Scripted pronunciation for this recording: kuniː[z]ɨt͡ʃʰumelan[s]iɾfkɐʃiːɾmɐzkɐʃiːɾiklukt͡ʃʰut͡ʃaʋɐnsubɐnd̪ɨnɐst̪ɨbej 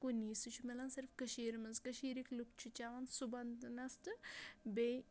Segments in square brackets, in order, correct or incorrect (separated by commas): incorrect, correct